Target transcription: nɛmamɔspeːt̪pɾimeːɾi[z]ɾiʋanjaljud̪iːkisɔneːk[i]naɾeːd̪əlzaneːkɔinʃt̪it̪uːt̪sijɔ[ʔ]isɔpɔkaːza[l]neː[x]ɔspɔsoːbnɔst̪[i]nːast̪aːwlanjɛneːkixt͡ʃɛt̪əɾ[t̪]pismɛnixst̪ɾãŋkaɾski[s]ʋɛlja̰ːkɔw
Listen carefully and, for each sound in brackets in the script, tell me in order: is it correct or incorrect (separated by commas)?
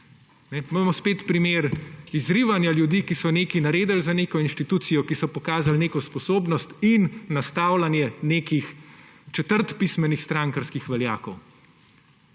correct, correct, incorrect, correct, incorrect, correct, correct, incorrect